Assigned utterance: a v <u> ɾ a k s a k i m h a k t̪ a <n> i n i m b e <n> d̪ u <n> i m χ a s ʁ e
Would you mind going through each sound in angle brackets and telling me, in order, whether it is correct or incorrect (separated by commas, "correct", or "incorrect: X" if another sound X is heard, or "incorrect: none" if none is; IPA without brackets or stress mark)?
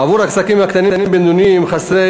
correct, correct, correct, correct